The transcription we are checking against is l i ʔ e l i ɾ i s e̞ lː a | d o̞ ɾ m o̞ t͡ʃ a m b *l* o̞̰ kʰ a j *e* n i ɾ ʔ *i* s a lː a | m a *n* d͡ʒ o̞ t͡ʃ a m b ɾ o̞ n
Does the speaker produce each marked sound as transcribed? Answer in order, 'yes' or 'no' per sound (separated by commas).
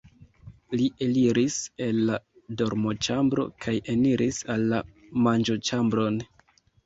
no, yes, yes, yes